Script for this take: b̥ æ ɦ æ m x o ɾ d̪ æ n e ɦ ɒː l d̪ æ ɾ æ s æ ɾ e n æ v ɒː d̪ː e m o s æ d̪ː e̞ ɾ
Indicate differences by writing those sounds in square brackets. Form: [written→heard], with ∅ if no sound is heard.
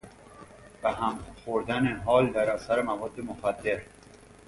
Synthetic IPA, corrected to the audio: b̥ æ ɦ æ m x o ɾ d̪ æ n e ɦ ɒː l d̪ æ ɾ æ s æ ɾ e [n→m] æ v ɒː d̪ː e m o [s→x] æ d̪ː e̞ ɾ